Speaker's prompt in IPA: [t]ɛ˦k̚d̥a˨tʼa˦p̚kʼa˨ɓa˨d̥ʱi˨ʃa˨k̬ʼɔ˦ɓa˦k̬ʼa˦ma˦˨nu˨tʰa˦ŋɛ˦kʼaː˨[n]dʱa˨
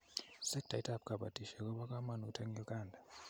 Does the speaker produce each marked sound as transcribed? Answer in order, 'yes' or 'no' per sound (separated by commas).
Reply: no, yes